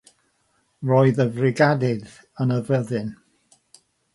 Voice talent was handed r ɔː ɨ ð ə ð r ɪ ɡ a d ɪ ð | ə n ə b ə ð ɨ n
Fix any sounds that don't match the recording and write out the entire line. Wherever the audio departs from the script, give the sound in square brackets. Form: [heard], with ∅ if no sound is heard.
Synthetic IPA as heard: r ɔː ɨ ð ə [v] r ɪ ɡ a d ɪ ð | ə n ə [v] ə ð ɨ n